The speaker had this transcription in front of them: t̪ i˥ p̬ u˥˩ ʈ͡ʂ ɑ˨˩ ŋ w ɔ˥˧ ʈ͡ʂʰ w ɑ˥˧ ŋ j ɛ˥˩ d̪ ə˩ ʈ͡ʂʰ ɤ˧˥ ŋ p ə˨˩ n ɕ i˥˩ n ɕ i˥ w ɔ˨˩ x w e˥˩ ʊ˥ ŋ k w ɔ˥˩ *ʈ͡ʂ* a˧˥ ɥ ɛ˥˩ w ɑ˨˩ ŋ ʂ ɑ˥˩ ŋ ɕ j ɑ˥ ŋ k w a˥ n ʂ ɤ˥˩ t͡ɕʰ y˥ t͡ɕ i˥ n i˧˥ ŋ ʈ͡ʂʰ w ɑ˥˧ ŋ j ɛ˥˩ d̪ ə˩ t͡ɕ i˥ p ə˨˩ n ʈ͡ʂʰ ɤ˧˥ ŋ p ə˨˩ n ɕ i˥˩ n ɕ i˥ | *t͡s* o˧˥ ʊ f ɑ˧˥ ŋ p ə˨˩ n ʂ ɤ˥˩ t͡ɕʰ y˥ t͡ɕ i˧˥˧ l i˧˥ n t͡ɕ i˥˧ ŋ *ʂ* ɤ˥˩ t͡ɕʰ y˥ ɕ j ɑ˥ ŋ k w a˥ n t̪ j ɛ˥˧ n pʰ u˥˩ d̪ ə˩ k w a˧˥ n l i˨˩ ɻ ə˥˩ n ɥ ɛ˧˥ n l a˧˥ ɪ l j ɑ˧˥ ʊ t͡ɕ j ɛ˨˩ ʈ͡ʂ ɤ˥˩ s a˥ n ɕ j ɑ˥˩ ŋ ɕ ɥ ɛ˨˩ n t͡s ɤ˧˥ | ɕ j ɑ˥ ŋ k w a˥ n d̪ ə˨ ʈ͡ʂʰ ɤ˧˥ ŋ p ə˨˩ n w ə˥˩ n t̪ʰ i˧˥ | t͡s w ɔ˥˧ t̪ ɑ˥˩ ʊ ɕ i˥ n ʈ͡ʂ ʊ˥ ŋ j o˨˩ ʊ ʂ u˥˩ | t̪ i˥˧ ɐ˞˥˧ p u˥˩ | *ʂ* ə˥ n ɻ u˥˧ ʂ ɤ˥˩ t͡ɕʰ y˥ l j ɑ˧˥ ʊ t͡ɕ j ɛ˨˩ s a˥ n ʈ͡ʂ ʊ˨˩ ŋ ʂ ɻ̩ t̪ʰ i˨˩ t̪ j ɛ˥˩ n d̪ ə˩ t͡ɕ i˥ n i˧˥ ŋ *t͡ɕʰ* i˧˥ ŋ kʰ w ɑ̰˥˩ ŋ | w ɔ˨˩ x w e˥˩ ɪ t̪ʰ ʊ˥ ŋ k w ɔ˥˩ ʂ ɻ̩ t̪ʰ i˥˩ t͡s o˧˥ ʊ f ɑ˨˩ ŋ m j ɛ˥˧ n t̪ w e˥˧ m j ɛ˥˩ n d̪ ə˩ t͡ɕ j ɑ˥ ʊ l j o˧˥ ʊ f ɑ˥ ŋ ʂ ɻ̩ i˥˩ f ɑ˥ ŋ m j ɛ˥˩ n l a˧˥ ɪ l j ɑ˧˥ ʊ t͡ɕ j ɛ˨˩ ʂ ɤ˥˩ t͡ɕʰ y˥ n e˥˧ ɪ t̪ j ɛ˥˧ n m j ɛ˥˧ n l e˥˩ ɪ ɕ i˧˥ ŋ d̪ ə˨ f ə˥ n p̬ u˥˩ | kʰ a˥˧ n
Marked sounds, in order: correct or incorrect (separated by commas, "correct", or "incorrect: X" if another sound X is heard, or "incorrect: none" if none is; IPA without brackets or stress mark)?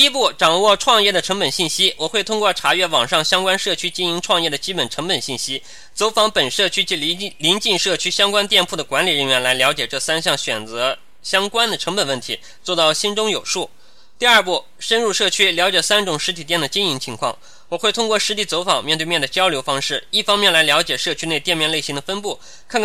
incorrect: ʈ͡ʂʰ, correct, correct, correct, correct